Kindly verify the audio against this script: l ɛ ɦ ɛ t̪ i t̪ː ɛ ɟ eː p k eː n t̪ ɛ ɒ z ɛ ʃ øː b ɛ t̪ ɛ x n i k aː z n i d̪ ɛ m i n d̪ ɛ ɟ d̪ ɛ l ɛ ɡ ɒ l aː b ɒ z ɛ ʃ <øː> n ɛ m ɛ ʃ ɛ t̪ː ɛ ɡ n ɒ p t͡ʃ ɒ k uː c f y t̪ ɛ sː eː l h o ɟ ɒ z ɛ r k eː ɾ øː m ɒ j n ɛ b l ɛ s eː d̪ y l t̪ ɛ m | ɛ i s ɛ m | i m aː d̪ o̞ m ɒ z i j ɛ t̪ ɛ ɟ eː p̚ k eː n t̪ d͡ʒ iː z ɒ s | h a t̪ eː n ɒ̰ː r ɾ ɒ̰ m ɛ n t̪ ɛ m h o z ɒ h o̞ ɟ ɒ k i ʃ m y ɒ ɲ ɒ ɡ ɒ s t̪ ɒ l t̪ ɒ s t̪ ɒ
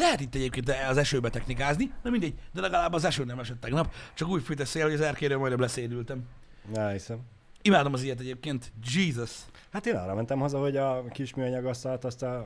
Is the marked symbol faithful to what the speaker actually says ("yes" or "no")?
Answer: yes